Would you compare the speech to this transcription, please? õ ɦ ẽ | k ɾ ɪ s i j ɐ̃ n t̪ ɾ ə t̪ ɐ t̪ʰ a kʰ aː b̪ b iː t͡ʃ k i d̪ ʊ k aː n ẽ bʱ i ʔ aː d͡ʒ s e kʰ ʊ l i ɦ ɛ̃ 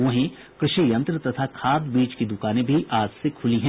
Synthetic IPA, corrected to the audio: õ ɦ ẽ | k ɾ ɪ ʃ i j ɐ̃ n t̪ ɾ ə t̪ ɐ t̪ʰ a kʰ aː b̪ b iː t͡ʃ k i d̪ ʊ k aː n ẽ bʱ i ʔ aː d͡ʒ s e kʰ ʊ l i ɦ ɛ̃